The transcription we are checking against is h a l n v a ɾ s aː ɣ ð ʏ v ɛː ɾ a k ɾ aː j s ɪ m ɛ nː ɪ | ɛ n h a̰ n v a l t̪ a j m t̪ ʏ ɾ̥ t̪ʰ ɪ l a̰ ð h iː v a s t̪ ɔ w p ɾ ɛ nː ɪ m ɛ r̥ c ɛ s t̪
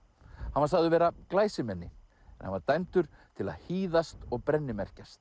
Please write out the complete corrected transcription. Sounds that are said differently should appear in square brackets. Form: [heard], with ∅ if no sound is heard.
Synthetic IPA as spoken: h a [∅] n v a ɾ s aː ɣ ð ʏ v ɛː ɾ a k [l] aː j s ɪ m ɛ nː ɪ | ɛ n h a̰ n v a [ɾ] t̪ a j m t̪ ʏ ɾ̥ t̪ʰ ɪ l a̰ ð h iː [ð] a s t̪ ɔ [ɣ] p ɾ ɛ nː ɪ m ɛ r̥ c [a] s t̪